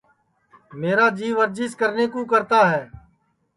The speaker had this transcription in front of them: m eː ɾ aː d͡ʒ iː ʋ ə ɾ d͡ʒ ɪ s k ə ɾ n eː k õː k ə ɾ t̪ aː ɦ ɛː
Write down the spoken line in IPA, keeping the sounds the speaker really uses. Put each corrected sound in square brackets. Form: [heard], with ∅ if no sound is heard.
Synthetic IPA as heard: m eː ɾ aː d͡ʒ iː ʋ ə ɾ d͡ʒ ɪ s k ə ɾ n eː k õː k ə ɾ t̪ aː ɦ ɛː